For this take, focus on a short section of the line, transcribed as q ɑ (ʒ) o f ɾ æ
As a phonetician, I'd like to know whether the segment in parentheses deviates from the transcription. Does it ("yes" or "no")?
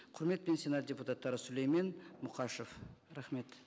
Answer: yes